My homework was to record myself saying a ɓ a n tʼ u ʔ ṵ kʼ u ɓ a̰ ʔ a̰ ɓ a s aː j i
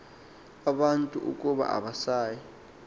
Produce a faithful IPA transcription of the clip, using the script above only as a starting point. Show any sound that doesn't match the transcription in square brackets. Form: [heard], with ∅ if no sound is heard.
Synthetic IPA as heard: a ɓ a n tʼ u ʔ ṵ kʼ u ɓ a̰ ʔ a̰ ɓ a s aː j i